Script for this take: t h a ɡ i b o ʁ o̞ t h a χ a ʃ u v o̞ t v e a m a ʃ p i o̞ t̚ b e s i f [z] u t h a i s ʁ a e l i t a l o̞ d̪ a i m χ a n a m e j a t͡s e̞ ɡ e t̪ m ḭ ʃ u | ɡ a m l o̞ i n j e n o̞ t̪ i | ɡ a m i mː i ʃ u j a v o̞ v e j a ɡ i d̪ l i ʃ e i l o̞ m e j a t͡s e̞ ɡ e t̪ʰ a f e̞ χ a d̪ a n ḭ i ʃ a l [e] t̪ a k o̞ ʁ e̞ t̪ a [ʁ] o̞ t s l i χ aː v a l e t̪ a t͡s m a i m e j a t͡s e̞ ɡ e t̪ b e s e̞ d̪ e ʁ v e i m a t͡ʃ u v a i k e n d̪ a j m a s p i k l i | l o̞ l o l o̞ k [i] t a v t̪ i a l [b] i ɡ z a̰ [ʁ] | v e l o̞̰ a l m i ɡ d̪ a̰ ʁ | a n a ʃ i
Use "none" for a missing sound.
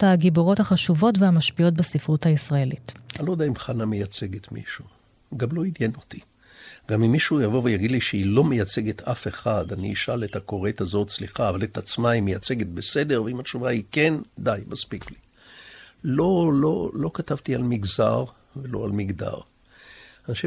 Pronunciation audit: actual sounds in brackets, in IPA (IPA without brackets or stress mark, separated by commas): ʁ, e, z, a, m, ʁ